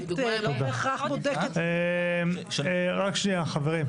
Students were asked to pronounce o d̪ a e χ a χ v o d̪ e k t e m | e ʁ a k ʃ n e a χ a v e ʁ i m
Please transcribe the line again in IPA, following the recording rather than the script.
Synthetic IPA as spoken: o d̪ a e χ a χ b o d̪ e k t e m | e ʁ a k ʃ n i a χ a v e ʁ i m

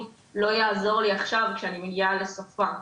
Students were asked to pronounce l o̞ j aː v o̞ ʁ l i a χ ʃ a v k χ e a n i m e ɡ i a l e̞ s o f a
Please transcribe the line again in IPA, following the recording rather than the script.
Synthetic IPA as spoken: l o̞ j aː z o̞ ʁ l i a χ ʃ a v k ʃ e a n i m e ɡ i a l e̞ s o f a

